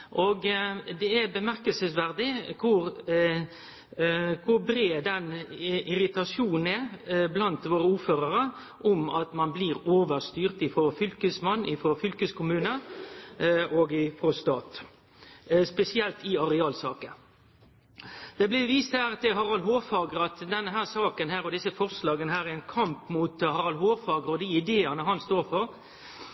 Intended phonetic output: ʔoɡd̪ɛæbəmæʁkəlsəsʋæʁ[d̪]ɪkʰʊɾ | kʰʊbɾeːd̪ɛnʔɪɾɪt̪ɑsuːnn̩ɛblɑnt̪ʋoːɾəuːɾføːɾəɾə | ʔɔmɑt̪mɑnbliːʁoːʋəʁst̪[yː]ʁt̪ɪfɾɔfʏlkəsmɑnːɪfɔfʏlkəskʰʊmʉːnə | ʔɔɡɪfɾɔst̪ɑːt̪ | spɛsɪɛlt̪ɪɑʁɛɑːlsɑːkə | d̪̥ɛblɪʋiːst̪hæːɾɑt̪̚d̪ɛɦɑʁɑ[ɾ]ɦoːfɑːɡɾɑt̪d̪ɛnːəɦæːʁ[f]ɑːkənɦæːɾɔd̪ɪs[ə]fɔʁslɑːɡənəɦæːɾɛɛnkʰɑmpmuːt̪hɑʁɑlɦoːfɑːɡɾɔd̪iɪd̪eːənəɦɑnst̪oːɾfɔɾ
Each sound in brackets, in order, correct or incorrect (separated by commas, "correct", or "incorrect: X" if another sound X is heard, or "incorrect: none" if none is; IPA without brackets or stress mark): correct, correct, incorrect: l, incorrect: s, correct